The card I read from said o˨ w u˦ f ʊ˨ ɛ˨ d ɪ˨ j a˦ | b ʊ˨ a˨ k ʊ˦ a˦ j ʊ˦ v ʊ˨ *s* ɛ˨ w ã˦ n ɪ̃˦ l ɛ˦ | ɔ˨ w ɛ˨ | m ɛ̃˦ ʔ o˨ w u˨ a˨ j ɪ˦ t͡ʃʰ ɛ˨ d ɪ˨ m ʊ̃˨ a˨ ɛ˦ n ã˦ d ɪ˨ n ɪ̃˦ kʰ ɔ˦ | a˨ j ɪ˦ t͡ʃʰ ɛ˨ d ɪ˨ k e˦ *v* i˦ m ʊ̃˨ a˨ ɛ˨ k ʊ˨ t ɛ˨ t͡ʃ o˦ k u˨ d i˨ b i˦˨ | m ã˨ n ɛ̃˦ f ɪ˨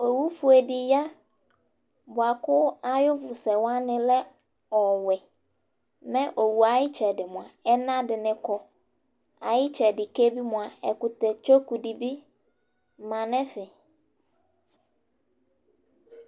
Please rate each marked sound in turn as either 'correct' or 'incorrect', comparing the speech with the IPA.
correct, incorrect: b

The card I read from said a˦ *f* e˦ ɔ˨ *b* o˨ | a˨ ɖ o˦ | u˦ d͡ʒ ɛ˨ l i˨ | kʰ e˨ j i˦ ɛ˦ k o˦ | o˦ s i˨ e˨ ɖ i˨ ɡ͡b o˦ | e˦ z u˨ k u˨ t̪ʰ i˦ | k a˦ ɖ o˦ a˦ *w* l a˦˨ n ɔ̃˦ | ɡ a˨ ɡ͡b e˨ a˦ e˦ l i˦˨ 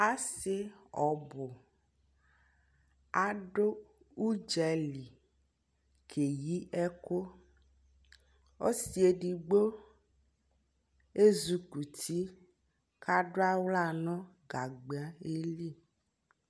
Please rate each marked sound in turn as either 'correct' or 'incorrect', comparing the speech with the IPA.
incorrect: s, correct, correct

